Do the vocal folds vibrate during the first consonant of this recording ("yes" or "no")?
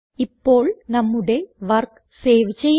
no